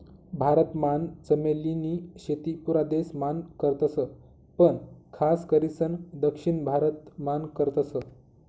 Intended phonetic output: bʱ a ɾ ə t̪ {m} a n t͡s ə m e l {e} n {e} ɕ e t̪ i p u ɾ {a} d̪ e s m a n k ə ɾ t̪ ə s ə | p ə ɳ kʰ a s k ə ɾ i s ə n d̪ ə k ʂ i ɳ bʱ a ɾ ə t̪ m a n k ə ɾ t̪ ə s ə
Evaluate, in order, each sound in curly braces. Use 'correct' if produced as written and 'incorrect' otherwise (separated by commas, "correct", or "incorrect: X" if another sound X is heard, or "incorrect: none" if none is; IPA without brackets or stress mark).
correct, incorrect: i, incorrect: i, correct